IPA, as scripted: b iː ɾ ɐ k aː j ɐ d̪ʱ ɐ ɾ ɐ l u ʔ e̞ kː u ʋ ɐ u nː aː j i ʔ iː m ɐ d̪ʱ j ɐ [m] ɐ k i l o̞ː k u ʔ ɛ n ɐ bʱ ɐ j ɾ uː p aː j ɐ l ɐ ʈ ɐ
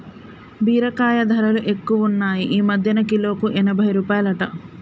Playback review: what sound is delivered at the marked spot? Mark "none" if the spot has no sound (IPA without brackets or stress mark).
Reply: n